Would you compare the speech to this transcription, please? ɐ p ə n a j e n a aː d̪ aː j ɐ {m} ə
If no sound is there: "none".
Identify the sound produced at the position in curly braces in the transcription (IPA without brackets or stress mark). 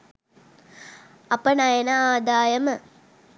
m